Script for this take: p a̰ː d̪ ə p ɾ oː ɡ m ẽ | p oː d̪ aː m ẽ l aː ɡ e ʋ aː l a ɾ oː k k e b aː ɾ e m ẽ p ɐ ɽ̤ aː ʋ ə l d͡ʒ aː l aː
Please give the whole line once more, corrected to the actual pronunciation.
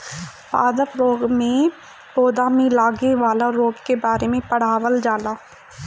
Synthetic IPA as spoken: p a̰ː d̪ ə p ɾ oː ɡ m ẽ | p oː d̪ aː m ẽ l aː ɡ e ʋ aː l a ɾ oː ɡ k e b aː ɾ e m ẽ p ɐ ɽ̤ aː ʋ ə l d͡ʒ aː l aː